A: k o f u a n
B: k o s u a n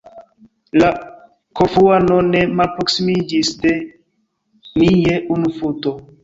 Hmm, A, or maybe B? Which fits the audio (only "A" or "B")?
A